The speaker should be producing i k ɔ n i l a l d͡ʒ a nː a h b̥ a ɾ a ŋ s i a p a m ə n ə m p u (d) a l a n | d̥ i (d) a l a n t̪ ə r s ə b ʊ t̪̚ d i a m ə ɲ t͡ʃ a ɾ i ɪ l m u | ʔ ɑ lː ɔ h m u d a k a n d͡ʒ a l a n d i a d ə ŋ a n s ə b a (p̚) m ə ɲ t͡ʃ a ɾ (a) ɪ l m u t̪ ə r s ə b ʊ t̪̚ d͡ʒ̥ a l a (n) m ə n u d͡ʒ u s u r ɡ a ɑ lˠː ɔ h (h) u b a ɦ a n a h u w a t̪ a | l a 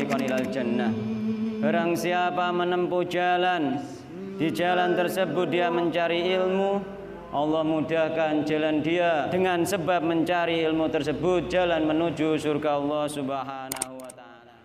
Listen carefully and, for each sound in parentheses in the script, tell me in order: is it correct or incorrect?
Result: incorrect, incorrect, correct, incorrect, correct, incorrect

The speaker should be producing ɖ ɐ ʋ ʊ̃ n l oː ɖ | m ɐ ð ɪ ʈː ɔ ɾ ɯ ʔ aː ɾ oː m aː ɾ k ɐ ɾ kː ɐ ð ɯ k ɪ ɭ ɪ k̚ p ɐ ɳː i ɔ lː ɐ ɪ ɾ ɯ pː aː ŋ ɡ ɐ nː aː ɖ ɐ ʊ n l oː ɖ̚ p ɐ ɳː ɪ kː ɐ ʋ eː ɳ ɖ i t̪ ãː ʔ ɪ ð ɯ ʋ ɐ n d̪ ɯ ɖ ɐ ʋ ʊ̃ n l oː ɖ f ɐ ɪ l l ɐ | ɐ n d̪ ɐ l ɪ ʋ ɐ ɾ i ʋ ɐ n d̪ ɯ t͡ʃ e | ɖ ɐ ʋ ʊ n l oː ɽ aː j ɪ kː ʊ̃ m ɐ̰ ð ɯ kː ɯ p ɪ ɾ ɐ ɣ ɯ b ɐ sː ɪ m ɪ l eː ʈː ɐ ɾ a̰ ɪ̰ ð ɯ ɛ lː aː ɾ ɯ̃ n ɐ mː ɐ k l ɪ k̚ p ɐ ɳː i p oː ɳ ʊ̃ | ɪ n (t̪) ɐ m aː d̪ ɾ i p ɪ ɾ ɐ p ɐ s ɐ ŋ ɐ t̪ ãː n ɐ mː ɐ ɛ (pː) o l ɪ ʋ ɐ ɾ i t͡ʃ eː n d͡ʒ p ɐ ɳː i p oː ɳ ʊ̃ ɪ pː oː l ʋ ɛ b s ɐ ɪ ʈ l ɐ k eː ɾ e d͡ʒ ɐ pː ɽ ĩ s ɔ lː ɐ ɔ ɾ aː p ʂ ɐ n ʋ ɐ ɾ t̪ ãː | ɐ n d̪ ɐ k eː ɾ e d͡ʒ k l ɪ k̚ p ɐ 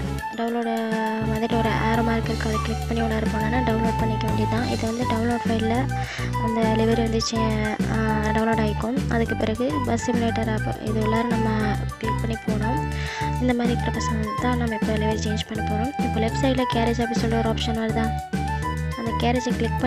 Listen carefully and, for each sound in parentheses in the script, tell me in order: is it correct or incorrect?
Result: incorrect, correct

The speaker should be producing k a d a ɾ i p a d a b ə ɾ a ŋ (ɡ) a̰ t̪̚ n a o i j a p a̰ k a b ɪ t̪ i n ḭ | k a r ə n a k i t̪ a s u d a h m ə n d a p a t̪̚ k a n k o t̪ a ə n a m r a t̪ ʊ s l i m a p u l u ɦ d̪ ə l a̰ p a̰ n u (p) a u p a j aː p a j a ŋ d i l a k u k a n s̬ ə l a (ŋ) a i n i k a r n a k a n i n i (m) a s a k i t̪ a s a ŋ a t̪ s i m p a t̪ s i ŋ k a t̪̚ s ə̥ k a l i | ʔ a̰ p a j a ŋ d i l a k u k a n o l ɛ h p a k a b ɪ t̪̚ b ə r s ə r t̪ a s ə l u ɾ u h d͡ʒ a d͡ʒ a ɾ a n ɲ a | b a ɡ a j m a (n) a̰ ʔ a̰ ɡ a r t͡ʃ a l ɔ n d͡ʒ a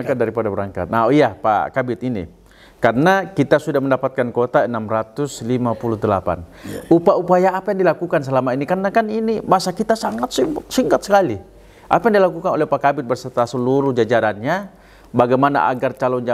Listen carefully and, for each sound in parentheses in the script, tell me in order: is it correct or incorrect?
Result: incorrect, correct, incorrect, correct, correct

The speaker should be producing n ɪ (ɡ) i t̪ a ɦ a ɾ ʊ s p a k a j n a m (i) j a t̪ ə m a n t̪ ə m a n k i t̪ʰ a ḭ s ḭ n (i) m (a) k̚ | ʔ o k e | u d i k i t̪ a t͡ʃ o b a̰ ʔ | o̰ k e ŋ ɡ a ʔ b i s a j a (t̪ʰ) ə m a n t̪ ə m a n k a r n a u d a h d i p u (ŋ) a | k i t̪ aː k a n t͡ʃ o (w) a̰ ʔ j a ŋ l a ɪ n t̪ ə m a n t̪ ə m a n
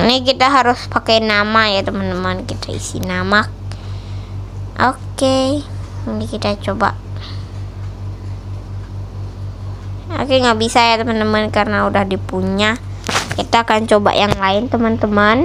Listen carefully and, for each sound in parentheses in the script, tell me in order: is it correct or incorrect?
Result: incorrect, incorrect, incorrect, correct, incorrect, incorrect, incorrect

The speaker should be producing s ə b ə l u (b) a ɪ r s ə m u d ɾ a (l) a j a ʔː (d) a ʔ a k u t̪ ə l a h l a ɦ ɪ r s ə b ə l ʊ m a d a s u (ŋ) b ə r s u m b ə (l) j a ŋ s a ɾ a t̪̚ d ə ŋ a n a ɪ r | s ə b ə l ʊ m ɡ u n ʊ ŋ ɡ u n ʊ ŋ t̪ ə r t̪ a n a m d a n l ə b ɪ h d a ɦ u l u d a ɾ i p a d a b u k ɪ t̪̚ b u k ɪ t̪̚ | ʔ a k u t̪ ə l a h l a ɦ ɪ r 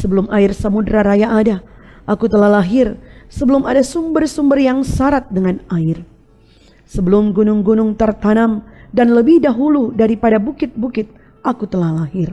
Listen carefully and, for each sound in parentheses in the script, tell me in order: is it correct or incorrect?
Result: incorrect, incorrect, correct, incorrect, incorrect

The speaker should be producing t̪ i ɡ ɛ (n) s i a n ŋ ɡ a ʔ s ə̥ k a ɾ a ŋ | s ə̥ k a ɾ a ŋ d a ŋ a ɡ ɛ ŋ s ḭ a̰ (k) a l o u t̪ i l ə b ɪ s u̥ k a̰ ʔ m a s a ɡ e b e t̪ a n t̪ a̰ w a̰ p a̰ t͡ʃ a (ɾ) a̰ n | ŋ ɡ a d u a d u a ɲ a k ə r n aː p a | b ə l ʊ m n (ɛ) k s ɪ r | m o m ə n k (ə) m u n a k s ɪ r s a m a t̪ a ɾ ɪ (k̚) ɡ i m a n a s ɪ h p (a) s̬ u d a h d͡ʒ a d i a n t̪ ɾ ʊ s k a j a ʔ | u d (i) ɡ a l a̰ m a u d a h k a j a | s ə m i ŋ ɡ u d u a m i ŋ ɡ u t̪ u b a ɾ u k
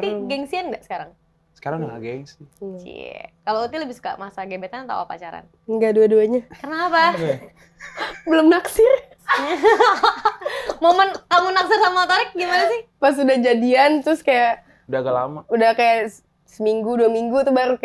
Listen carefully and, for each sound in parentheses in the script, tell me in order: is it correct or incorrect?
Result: incorrect, correct, correct, incorrect, incorrect, correct, correct, incorrect

